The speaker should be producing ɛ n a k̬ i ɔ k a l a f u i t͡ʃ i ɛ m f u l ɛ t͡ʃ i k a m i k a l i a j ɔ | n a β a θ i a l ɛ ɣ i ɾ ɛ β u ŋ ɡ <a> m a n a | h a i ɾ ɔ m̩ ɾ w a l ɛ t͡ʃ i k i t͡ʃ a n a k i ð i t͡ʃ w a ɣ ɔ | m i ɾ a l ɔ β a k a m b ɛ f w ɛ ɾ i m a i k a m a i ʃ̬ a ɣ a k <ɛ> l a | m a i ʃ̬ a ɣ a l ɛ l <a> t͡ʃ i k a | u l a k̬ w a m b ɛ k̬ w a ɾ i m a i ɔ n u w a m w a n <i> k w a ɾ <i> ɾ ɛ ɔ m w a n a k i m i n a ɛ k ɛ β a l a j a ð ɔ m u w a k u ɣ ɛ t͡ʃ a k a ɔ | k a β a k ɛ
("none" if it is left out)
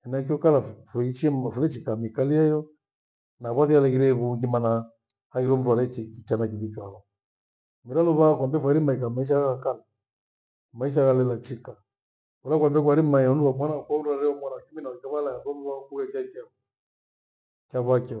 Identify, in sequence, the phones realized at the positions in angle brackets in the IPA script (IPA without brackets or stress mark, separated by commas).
i, a, a, a, a